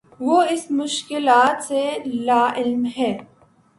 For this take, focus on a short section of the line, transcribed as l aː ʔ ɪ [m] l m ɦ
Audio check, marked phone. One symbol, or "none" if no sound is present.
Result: none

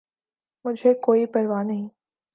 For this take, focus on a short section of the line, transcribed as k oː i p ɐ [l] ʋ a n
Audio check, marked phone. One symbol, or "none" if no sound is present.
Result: ɾ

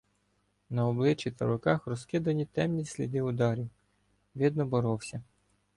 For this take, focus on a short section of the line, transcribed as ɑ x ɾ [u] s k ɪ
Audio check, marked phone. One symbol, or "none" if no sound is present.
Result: ɔ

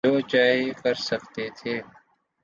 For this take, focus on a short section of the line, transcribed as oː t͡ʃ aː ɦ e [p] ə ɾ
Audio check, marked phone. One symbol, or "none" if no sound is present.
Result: k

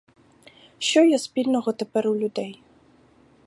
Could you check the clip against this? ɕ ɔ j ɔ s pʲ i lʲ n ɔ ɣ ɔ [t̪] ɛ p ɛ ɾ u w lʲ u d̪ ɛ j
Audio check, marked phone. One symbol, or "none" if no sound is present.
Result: t̪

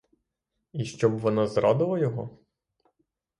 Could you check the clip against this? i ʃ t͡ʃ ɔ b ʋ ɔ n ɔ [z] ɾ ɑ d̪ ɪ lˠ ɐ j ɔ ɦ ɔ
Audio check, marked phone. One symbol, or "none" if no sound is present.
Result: z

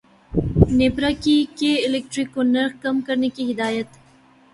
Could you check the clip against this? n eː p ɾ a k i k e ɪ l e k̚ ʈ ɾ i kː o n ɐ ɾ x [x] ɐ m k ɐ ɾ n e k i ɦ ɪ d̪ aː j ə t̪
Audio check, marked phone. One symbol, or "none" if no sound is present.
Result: k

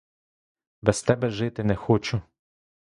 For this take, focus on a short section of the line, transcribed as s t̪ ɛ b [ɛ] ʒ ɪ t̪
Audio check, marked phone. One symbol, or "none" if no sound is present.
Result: ɛ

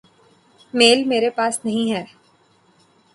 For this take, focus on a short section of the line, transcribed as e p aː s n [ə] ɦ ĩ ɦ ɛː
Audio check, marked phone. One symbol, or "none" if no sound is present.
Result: ɐ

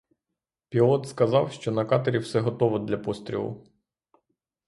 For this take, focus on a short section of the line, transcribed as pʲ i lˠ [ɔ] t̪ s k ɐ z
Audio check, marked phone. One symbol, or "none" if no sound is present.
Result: ɔ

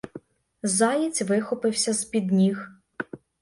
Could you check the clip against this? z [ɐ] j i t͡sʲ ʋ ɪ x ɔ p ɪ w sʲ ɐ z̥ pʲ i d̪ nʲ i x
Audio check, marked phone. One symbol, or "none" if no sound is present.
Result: ɑ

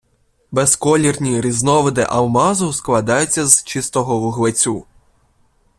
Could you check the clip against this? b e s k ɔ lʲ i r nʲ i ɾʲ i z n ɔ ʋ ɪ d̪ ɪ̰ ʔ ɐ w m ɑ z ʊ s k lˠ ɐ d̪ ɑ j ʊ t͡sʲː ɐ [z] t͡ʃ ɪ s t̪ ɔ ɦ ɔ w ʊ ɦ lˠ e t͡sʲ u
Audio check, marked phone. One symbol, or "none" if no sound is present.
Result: z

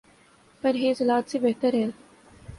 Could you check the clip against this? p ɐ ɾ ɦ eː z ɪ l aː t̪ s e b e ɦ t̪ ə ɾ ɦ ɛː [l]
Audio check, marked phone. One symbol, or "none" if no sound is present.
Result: l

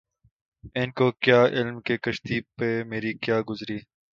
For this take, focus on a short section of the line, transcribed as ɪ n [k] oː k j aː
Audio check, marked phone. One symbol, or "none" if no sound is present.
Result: k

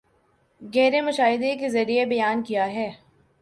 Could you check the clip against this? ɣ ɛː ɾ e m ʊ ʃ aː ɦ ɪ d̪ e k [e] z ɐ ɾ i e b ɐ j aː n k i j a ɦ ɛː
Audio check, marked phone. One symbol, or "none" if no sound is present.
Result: e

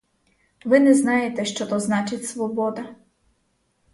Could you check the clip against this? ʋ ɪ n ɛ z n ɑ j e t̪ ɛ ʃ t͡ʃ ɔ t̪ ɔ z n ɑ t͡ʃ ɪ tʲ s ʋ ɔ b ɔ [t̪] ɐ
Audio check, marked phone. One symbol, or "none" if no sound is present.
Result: d̪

